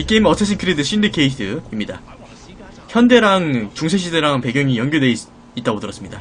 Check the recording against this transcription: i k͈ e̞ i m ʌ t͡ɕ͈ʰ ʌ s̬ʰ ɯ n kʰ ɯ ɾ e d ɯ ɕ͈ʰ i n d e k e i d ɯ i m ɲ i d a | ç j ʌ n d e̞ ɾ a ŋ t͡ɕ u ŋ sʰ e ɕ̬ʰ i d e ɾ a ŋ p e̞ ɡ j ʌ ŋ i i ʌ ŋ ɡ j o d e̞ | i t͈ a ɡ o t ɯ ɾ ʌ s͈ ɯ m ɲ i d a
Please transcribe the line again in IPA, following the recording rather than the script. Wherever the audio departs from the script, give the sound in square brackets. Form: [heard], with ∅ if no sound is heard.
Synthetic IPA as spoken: i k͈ e̞ i m ʌ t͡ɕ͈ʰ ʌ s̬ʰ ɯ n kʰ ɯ ɾ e d ɯ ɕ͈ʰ i n d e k e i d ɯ i m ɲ i d a | ç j ʌ n d e̞ ɾ a ŋ t͡ɕ u ŋ sʰ e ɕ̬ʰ i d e ɾ a ŋ p e̞ ɡ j ʌ ŋ i [j] ʌ ŋ ɡ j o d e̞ | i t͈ a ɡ o t ɯ ɾ ʌ s͈ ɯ m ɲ i d a